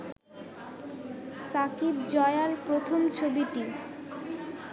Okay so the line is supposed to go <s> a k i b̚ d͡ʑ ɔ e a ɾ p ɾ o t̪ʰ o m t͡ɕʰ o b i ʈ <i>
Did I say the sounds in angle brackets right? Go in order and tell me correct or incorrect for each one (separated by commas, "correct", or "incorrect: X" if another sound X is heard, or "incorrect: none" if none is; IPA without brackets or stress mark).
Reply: correct, correct